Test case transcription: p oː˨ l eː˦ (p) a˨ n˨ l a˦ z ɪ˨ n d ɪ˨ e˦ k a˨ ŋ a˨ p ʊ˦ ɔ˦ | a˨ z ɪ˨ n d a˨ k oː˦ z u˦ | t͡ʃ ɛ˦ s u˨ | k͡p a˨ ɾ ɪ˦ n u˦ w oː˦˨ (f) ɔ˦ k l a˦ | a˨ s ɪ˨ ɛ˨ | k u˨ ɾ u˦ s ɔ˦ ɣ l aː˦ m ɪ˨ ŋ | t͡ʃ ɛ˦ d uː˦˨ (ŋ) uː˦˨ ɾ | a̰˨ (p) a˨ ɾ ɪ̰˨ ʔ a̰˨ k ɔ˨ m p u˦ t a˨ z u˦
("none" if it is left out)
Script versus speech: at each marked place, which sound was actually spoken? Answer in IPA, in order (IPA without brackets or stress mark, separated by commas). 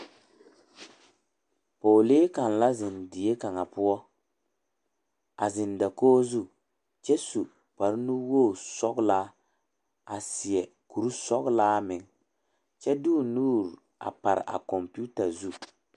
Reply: k, s, n, p